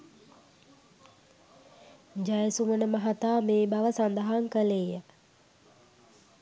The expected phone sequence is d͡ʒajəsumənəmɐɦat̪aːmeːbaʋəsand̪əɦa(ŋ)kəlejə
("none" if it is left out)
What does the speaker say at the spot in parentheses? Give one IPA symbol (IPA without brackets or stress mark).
ŋ